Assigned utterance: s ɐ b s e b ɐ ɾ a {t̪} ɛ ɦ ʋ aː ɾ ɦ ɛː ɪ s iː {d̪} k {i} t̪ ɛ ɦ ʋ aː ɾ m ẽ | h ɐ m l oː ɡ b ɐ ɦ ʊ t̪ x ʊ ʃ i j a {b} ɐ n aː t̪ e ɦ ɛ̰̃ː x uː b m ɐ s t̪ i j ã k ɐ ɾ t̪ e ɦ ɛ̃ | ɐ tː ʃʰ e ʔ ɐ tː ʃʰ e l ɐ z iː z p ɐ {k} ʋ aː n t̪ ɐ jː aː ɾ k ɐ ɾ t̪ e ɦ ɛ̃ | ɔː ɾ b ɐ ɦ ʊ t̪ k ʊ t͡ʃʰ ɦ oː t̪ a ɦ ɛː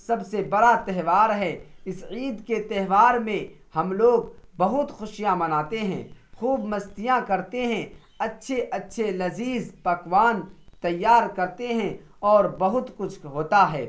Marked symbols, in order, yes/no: yes, yes, no, no, yes

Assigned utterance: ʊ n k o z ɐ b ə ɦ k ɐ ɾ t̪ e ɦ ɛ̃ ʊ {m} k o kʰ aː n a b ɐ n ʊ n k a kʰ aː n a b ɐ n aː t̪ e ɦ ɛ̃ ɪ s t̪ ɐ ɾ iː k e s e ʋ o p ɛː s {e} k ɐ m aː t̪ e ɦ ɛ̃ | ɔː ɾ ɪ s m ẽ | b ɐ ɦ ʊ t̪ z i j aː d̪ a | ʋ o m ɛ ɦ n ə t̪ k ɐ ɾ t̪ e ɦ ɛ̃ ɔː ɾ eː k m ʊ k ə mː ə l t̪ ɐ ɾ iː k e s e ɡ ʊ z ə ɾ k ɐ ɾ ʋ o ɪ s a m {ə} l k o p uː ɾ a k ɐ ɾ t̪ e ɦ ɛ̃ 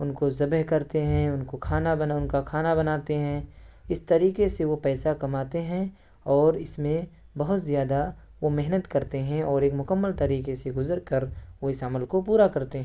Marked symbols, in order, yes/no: no, no, yes

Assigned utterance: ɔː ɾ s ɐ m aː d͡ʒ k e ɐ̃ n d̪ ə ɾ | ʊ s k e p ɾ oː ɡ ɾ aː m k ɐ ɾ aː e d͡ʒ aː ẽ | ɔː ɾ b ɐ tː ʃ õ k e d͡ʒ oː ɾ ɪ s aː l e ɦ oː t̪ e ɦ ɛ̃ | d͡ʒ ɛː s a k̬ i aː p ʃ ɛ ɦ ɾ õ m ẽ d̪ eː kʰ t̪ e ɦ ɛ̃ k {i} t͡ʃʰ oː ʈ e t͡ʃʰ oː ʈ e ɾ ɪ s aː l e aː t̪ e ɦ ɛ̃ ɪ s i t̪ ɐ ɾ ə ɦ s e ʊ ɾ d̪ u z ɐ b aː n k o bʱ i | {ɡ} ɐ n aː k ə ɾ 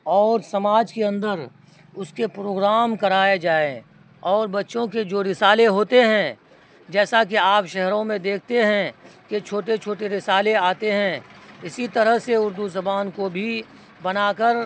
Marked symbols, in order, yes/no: no, no

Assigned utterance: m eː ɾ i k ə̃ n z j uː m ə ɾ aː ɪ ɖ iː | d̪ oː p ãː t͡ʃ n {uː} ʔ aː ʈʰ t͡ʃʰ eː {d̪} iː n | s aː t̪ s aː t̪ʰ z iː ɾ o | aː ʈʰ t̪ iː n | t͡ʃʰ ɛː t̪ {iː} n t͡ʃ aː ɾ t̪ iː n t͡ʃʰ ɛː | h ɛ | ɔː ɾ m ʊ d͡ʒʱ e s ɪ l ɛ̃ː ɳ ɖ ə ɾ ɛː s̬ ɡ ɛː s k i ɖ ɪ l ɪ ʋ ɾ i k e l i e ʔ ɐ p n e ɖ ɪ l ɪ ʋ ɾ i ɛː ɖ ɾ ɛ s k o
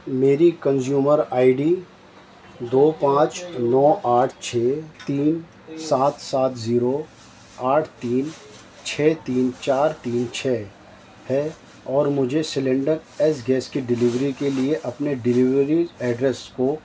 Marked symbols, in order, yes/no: no, no, yes

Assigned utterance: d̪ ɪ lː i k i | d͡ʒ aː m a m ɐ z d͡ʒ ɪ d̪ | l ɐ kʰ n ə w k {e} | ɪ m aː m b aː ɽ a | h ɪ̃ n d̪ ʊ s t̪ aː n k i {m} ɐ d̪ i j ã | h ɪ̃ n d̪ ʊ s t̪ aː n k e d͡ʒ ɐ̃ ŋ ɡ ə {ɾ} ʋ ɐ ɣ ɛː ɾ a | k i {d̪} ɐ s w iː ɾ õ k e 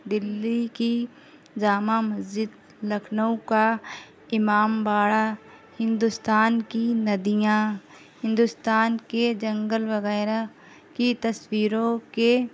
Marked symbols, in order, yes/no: no, no, no, no

